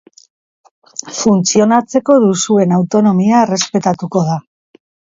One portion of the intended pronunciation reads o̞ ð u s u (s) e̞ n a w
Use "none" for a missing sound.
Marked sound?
none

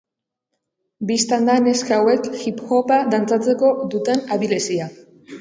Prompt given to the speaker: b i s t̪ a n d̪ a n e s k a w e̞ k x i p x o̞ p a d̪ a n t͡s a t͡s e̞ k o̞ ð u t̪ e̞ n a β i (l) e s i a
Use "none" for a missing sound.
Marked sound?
l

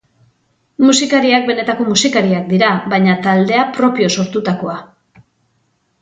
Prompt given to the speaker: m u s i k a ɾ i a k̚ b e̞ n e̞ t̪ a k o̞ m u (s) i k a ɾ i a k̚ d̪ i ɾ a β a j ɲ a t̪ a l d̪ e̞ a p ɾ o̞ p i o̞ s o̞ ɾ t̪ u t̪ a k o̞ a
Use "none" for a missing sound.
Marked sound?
s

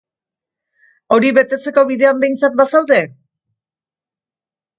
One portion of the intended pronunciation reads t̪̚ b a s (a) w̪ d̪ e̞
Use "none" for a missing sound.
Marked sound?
a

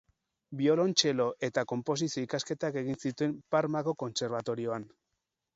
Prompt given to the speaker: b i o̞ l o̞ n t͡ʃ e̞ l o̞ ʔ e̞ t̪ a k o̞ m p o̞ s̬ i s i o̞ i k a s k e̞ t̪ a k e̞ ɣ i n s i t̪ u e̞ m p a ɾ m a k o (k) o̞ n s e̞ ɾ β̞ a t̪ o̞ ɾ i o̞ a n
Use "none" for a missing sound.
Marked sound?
k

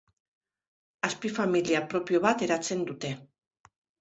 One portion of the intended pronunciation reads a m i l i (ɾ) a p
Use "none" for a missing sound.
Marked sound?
none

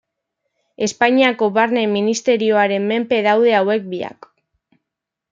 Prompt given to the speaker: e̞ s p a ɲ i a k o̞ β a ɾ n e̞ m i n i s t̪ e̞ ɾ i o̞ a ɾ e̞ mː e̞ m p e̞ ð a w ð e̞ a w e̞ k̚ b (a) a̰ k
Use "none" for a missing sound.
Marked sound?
i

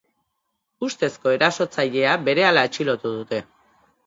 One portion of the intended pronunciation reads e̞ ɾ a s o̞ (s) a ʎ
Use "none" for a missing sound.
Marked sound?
t͡s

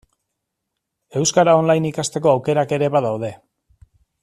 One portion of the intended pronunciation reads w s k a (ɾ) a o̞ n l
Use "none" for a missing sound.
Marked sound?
ɾ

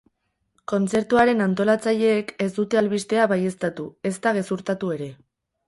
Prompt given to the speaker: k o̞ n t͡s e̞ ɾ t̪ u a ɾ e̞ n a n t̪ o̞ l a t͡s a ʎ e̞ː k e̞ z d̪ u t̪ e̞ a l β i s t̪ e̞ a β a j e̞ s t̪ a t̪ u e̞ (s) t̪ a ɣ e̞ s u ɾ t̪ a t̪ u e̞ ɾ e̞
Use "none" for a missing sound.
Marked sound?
s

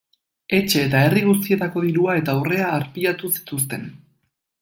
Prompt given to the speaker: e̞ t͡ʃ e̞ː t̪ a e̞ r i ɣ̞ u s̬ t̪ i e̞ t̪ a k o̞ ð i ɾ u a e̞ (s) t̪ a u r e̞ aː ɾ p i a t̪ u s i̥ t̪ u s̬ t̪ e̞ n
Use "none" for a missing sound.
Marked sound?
none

